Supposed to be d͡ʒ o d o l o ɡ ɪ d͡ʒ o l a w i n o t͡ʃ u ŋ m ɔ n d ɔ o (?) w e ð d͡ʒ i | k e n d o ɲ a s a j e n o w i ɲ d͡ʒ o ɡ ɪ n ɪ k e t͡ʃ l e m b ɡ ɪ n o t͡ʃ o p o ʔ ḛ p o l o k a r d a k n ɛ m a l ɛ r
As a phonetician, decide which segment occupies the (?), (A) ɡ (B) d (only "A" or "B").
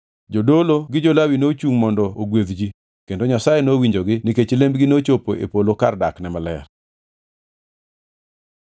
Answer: A